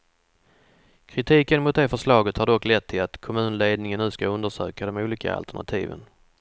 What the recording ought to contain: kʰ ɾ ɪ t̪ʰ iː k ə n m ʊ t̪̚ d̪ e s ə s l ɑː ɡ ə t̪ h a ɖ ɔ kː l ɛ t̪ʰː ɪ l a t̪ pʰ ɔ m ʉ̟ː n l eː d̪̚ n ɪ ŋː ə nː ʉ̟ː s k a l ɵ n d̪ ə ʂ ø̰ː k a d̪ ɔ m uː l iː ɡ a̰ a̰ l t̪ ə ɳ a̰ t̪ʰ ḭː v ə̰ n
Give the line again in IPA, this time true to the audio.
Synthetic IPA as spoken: kʰ ɾ ɪ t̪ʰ iː k ə n m ʊ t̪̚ d̪ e f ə ʂ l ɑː ɡ ə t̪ h a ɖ ɔ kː l ɛ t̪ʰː ɪ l a t̪ kʰ ɔ m ʉ̟ː n l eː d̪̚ n ɪ ŋ ə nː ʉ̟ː s k a ɵ n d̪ ə ʂ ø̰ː k a d̪ ɔ m uː l iː k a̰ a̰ l t̪ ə ɳ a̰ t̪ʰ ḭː v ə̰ n